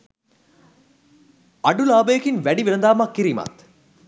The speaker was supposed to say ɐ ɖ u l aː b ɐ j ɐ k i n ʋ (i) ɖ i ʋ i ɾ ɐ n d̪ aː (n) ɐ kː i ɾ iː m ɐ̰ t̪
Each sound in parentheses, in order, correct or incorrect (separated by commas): incorrect, incorrect